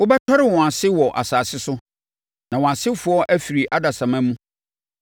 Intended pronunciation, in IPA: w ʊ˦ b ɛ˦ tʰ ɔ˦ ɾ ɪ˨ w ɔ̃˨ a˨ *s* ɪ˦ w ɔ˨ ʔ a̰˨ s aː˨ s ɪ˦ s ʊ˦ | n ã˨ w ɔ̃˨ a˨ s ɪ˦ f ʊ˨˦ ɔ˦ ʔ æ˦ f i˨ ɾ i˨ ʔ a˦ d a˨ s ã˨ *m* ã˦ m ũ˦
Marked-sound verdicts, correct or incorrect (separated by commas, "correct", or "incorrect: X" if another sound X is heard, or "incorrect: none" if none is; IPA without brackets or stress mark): correct, correct